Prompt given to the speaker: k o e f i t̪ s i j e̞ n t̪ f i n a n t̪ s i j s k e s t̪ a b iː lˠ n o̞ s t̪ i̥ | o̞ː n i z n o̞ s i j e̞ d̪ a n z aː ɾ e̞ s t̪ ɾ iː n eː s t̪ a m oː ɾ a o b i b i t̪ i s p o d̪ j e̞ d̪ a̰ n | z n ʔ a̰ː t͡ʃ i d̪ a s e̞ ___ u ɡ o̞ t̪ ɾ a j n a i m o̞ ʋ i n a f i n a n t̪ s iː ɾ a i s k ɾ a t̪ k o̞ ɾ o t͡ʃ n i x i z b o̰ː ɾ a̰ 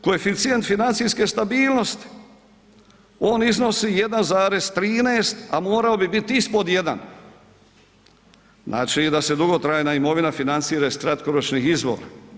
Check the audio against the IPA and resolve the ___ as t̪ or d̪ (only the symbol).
d̪